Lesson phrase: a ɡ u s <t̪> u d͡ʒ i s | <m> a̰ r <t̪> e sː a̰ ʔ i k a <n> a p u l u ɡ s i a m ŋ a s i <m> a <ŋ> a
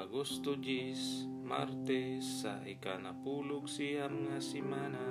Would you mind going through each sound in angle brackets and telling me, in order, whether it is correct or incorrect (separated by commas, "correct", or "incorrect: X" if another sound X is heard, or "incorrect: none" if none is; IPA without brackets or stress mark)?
correct, correct, correct, correct, correct, incorrect: n